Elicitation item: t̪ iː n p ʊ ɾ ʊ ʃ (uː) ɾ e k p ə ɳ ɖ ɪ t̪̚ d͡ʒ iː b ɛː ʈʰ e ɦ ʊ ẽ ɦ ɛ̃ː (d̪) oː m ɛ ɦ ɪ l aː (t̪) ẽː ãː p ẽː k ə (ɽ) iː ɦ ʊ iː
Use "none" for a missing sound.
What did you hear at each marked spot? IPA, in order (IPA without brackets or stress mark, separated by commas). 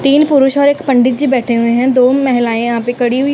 ɔː, d̪, none, ɽ